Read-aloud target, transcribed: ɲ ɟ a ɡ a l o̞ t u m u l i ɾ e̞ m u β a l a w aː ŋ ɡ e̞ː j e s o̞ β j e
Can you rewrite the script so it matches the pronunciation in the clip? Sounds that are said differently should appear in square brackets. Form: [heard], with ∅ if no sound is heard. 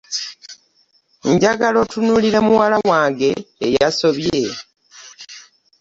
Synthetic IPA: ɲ ɟ a ɡ a l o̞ t u [n] u l i ɾ e̞ m u [w] a l a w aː ŋ ɡ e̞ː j [a] s o̞ β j e